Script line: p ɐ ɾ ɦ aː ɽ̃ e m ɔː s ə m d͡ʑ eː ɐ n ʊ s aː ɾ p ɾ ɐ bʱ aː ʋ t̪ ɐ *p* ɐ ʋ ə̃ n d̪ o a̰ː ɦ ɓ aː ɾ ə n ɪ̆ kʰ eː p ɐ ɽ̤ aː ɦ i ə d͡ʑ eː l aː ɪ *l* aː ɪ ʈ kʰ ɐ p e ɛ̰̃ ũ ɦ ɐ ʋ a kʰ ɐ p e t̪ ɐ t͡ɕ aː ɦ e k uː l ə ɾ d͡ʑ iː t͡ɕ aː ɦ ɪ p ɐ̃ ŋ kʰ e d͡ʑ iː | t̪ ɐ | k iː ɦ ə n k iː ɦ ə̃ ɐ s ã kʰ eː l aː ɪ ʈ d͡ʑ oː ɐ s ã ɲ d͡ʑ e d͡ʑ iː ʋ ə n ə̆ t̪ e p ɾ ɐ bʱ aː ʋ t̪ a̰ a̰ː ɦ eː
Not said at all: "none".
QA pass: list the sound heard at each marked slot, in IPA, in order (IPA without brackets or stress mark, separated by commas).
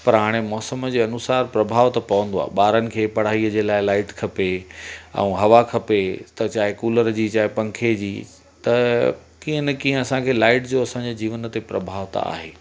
p, l